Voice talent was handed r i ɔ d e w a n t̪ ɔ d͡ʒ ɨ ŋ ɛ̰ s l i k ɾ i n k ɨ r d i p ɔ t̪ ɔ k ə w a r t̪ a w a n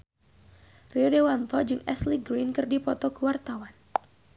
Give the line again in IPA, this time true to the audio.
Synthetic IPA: r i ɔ d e w a n t̪ ɔ d͡ʒ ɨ ŋ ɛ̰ s l i ɡ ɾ i n k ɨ r d i p ɔ t̪ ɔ k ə w a r t̪ a w a n